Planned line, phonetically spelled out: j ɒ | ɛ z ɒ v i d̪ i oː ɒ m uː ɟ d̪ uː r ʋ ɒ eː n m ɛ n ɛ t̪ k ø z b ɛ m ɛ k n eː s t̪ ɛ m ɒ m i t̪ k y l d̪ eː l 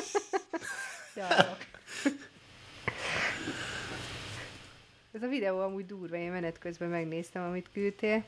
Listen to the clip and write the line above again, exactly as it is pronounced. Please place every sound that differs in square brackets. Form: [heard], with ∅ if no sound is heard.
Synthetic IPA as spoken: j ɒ | ɛ z ɒ v i d̪ [ɛ] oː ɒ m uː ɟ d̪ uː r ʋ ɒ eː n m ɛ n ɛ t̪ k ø z b ɛ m ɛ [ɡ] n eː s t̪ ɛ m ɒ m i t̪ k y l [t̪] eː l